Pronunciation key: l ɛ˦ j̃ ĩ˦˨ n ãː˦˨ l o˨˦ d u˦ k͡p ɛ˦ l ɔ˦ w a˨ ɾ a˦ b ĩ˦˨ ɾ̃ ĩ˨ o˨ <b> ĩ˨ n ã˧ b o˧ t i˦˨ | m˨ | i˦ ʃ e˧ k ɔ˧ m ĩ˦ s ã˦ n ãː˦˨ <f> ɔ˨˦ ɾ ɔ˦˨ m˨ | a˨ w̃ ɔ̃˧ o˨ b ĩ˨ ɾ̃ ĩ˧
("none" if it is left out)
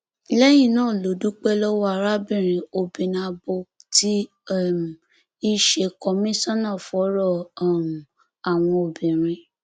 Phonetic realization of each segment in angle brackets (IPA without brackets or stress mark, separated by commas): b, f